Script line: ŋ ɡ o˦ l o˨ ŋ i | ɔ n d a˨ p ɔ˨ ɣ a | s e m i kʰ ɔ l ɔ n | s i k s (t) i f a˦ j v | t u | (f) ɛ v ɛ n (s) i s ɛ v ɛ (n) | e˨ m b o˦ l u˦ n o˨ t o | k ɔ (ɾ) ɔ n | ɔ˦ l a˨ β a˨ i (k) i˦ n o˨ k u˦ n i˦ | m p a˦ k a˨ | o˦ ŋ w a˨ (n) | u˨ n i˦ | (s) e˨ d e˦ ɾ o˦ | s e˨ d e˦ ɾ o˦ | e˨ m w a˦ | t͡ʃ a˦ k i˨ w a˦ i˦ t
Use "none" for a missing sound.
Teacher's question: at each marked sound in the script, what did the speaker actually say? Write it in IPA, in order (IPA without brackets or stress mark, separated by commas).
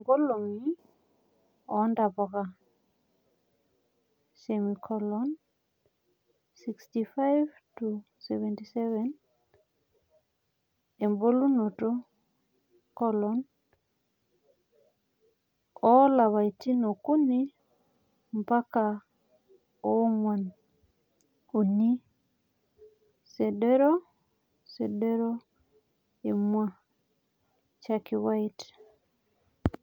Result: t, s, t, n, l, t, n, s